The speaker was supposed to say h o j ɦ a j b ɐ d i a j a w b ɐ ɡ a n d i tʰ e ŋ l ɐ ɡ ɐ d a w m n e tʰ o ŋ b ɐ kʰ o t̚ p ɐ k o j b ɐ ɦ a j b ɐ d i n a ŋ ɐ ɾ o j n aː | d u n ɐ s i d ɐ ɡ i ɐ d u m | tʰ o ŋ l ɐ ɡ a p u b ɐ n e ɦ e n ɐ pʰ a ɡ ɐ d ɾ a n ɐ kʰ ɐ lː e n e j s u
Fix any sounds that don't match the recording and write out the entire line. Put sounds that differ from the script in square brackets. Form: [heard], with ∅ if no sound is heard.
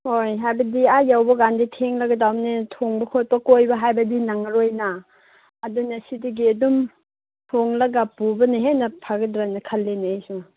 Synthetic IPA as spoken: h o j ɦ a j b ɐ d i a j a w b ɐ ɡ a n d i tʰ e ŋ l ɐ ɡ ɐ d a w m n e tʰ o ŋ b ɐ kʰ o t̚ p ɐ k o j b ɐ ɦ a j b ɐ d i n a ŋ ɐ ɾ o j n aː | d u n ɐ s i d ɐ ɡ i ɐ d u m | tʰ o ŋ l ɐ ɡ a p u b ɐ n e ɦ e n ɐ pʰ a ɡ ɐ d ɾ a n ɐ kʰ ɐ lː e n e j s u